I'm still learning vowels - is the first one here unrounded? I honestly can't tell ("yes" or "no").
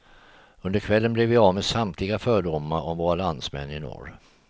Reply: no